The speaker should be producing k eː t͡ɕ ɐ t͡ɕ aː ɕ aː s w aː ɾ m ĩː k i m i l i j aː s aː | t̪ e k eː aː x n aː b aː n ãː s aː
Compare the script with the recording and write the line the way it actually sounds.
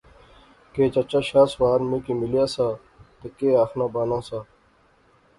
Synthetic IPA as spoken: k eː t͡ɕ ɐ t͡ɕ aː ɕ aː s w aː ɾ m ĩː k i m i l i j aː s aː | t̪ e k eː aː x n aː b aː n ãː s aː